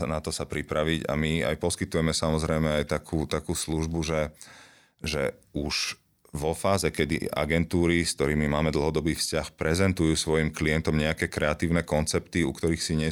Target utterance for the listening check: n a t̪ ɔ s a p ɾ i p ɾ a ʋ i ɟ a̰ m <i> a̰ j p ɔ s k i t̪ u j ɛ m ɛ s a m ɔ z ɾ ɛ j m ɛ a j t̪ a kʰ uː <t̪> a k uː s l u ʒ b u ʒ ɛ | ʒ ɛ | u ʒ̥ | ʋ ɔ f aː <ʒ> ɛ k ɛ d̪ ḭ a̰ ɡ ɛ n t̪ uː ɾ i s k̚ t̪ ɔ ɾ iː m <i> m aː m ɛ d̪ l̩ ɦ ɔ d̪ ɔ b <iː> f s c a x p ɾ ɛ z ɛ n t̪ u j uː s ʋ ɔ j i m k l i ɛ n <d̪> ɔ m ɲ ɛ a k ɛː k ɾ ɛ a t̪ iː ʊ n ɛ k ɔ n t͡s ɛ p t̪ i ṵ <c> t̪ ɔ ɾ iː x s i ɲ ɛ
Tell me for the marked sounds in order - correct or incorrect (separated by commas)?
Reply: correct, correct, incorrect, correct, correct, incorrect, incorrect